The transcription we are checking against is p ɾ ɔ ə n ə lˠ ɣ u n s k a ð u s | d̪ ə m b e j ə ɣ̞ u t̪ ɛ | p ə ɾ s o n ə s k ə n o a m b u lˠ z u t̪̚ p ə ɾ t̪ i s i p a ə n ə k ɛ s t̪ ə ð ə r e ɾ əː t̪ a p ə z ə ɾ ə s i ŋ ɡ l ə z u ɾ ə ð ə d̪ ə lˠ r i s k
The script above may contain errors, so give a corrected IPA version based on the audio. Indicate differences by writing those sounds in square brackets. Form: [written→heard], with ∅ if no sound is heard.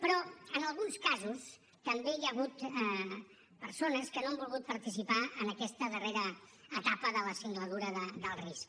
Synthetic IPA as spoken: p ɾ ɔ ə n ə lˠ ɣ u n s k a [ð→z] u s | [d̪→t̪] ə m b e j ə ɣ̞ u t̪ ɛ | p ə ɾ s o n ə s k ə n o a m b u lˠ [z→ɣ] u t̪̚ p ə ɾ t̪ i s i p a ə n ə k ɛ s t̪ ə ð ə r e ɾ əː t̪ a p ə [z→ð] ə [ɾ→l] ə s i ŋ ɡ l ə [z→ð] u ɾ ə ð ə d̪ ə lˠ r i s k

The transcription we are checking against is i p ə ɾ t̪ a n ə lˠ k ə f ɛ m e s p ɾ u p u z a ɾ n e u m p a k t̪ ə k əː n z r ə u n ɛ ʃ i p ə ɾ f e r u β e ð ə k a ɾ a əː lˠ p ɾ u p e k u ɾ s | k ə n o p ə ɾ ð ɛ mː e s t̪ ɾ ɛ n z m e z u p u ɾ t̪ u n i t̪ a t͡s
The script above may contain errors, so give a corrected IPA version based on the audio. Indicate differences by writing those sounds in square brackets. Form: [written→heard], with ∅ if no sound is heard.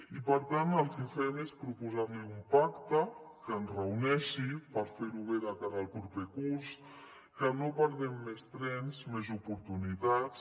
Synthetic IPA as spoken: i p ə ɾ t̪ a n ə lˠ k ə f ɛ m e s p ɾ u p u z a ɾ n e u m p a k t̪ ə k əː n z r ə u n ɛ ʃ i p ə ɾ f e [r→ɾ] u β e ð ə k a ɾ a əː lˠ p ɾ u p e k u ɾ s | k ə n o p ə ɾ ð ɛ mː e s t̪ ɾ ɛ n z m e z u p u ɾ t̪ u n i t̪ a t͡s

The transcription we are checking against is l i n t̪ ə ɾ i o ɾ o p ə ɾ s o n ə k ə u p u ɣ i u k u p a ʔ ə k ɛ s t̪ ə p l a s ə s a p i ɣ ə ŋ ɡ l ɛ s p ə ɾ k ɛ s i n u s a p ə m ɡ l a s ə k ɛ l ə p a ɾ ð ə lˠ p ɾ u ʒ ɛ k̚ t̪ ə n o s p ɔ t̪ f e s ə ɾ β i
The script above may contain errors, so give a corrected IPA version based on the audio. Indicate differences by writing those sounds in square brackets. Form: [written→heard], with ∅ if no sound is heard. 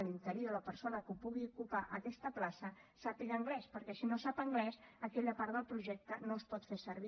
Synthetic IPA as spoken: l i n t̪ ə ɾ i o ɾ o p ə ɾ s o n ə k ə u p u ɣ i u k u p a ʔ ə k ɛ s t̪ ə p l a s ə s a p i ɣ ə ŋ ɡ l ɛ s p ə ɾ k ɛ s i n [u→o] s a p ə [m→ŋ] ɡ l [a→ɛ] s ə k ɛ [l→ʎ] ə p a ɾ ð ə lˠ p ɾ u ʒ ɛ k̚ t̪ ə n o s p ɔ t̪ f e s ə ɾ β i

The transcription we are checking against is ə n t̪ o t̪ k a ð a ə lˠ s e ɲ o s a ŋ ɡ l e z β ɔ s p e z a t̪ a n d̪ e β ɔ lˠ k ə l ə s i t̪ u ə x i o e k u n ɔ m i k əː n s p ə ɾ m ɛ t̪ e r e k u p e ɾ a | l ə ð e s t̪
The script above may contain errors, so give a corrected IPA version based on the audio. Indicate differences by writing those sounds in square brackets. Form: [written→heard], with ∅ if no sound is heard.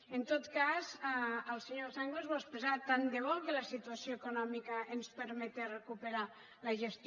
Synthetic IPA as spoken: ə n t̪ o t̪ k a [ð→z] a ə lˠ s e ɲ o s a ŋ ɡ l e z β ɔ s p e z a t̪ a n d̪ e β ɔ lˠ k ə l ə s i t̪ u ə [x→s] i o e k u n ɔ m i k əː n s p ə ɾ m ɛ t̪ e r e k u p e ɾ a | l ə [ð→ʒ] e s t̪

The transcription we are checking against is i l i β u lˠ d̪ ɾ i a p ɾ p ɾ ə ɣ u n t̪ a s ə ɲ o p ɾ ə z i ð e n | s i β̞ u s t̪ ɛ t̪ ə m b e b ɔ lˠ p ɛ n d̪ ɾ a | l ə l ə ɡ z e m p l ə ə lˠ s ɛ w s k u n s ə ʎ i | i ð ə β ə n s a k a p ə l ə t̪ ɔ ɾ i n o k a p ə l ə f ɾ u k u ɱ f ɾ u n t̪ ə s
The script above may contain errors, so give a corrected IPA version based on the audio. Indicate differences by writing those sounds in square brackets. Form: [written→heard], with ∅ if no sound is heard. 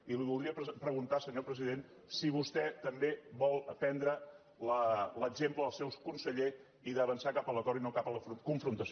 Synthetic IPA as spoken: i l i β u lˠ d̪ ɾ i [a→ə] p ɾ p ɾ ə ɣ u n t̪ a s ə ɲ o p ɾ ə z i ð e n | s i β̞ u s t̪ ɛ t̪ ə m b e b ɔ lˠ p ɛ n d̪ ɾ [a→ə] | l ə l ə ɡ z e m p l ə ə lˠ s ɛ w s k u n s ə ʎ [i→e] | i ð ə β ə n s a k a p ə l ə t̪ ɔ ɾ i n o k a p ə l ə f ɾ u k u ɱ f ɾ u n t̪ ə s

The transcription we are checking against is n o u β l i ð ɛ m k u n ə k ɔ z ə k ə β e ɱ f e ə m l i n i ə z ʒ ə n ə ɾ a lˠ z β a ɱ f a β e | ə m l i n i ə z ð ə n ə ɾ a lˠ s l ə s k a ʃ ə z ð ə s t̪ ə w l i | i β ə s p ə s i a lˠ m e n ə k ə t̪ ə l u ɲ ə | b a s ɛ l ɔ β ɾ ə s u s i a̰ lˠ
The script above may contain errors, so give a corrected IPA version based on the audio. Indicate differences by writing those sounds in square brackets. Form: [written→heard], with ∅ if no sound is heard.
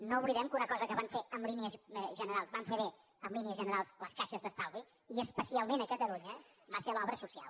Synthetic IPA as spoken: n o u β l i ð ɛ m k u n ə k ɔ z ə k ə β [e→a] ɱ f e ə m l i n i ə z ʒ ə n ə ɾ a lˠ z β a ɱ f [a→e] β e | ə m l i n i ə z [ð→ʒ] ə n ə ɾ a lˠ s l ə s k a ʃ ə z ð ə s t̪ [ə→a] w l i | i [β→∅] ə s p ə s i a lˠ m e n ə k ə t̪ ə l u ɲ ə | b a s [ɛ→e] l ɔ β ɾ ə s u s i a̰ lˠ

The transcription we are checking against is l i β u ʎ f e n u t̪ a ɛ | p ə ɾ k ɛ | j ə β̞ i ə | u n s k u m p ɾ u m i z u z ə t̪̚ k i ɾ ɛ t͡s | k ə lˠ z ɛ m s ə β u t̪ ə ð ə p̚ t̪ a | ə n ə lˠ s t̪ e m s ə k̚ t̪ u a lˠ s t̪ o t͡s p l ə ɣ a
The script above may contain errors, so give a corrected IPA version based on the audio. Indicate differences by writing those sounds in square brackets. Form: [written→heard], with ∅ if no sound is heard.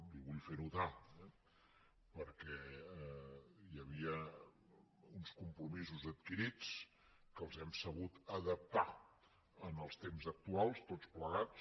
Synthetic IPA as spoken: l i β u ʎ f e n u t̪ a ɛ | p ə ɾ k ɛ | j ə β̞ i ə | u n s k u m p ɾ u m i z u z ə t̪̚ k i ɾ [ɛ→i] t͡s | k ə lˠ z ɛ m s ə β u t̪ ə ð ə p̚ t̪ a | ə n ə lˠ s t̪ e m [s→z] ə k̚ t̪ u a lˠ s t̪ o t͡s p l ə ɣ a

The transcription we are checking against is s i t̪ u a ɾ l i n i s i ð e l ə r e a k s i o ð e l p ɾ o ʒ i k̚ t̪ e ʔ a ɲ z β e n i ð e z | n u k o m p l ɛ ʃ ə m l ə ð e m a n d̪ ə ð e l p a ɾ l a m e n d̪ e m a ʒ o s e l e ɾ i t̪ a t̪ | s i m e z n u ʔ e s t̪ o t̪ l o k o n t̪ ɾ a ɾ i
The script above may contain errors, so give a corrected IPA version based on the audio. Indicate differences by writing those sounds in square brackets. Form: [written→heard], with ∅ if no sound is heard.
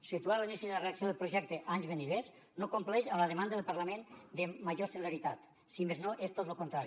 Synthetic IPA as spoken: s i t̪ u a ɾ l i n i s i ð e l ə r e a k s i o ð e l p ɾ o ʒ [i→ɛ] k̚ t̪ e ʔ a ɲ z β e n i ð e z | n [u→o] k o m p l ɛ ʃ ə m l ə ð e m a n d̪ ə ð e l p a ɾ l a m e n d̪ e m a ʒ o s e l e ɾ i t̪ a t̪ | s i m e z n [u→o] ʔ e s t̪ o t̪ l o k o n t̪ ɾ a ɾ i

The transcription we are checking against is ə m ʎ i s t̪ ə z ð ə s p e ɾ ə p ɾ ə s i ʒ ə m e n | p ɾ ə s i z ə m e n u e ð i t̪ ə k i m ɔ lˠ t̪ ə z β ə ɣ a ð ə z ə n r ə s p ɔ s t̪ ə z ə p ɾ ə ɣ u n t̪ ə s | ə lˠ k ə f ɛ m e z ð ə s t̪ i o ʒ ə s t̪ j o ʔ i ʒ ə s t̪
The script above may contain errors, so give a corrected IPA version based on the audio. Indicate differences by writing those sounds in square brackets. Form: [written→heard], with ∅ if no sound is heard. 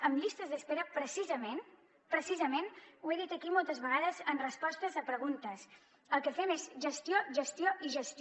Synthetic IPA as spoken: ə m ʎ i s t̪ ə z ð ə s p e ɾ ə p ɾ ə s i [ʒ→z] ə m e n | p ɾ ə s i z ə m e n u e ð i t̪ ə k i m ɔ lˠ t̪ ə z β ə ɣ a ð ə z ə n r ə s p ɔ s t̪ ə z ə p ɾ ə ɣ u n t̪ ə s | ə lˠ k ə f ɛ m e z [ð→ʒ] ə s t̪ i o ʒ ə s t̪ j o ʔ i ʒ ə s t̪

